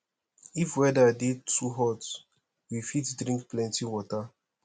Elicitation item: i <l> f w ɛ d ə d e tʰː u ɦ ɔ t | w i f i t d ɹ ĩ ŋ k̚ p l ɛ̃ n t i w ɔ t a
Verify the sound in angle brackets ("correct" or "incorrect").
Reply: incorrect